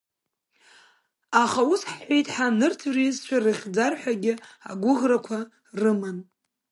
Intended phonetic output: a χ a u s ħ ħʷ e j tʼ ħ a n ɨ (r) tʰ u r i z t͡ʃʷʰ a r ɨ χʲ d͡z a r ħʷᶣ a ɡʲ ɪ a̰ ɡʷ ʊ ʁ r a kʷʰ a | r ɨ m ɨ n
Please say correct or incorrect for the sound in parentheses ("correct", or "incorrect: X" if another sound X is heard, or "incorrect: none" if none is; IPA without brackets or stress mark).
correct